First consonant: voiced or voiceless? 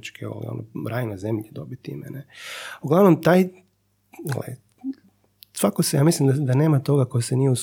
voiceless